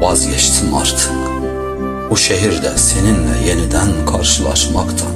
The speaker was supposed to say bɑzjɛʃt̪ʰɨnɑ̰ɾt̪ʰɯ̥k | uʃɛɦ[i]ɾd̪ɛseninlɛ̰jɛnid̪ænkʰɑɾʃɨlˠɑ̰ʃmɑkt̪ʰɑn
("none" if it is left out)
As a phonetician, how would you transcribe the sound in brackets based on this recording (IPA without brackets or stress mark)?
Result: i